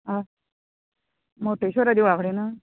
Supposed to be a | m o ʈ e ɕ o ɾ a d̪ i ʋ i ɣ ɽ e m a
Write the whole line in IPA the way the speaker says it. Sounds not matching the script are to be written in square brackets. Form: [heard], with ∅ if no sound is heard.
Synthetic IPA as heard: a | m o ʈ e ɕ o ɾ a d̪ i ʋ [a] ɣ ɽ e [n] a